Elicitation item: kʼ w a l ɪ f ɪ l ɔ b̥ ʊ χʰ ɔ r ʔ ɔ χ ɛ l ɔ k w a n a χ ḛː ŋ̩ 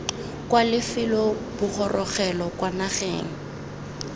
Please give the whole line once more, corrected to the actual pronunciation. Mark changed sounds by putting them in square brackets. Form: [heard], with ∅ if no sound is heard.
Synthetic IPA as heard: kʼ w a l ɪ f ɪ l ɔ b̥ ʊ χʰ ɔ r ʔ ɔ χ ɛ l ɔ k w a n a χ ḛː ŋ̩